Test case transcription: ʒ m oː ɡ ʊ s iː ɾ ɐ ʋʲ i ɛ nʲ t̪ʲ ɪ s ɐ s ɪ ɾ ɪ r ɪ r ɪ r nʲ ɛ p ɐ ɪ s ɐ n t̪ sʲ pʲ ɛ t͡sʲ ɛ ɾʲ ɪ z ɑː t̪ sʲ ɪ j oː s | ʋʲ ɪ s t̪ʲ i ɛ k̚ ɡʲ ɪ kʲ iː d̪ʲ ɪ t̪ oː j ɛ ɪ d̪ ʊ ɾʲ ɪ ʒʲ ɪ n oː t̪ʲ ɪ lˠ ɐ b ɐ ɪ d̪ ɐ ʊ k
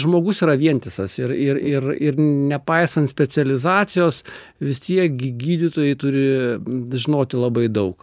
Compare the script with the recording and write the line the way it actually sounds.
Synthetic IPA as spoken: ʒ m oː ɡ ʊ s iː ɾ ɐ ʋʲ i ɛ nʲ t̪ʲ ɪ s ɐ s ɪ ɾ ɪ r ɪ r ɪ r nʲ ɛ p ɐ ɪ s ɐ n t̪ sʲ pʲ ɛ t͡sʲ ɛ lʲ ɪ z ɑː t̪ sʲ ɪ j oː s | ʋʲ ɪ s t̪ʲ i ɛ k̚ ɡʲ ɪ ɡʲ iː d̪ʲ ɪ t̪ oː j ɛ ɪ t̪ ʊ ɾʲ ɪ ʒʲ ɪ n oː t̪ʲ ɪ lˠ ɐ b ɐ ɪ d̪ ɐ ʊ k